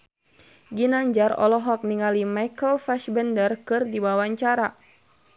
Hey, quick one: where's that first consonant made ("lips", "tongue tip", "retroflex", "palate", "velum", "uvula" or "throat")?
velum